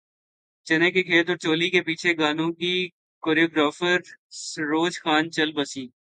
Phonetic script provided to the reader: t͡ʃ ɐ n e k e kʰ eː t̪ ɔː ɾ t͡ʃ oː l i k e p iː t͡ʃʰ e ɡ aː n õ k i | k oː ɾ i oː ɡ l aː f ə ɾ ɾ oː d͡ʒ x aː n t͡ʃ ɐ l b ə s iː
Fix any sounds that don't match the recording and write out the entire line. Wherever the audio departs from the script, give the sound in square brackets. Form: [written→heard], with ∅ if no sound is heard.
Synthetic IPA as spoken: t͡ʃ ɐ n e k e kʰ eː t̪ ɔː ɾ t͡ʃ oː l i k e p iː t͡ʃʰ e ɡ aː n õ k i | k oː ɾ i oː ɡ [l→ɾ] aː f ə ɾ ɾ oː d͡ʒ x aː n t͡ʃ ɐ l b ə s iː